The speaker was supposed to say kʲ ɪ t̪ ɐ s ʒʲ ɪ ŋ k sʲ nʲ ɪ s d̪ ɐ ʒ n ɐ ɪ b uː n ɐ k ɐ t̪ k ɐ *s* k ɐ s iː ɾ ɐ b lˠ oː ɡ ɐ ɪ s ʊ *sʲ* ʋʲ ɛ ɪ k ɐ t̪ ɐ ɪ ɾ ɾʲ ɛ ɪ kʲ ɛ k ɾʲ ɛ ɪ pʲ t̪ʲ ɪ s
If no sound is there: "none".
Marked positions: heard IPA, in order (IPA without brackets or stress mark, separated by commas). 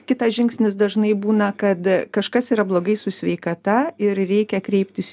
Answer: ʃ, sʲ